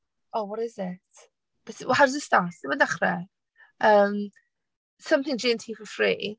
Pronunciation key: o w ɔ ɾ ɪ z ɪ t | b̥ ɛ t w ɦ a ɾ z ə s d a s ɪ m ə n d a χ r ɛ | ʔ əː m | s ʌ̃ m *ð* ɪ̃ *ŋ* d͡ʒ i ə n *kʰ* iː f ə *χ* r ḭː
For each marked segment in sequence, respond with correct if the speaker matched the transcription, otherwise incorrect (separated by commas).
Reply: incorrect, correct, incorrect, incorrect